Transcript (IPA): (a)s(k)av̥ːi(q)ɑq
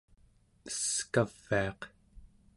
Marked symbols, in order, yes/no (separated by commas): no, yes, no